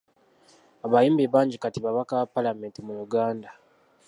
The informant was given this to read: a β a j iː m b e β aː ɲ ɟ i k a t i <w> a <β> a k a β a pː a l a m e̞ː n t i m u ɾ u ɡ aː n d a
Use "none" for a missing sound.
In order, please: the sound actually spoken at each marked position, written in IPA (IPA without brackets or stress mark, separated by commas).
β, β